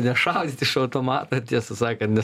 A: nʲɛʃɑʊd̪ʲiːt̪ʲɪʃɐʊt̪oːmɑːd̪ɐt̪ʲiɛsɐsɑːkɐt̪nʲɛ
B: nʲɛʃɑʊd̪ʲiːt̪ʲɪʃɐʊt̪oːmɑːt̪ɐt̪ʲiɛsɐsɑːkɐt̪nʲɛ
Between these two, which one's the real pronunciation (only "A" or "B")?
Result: B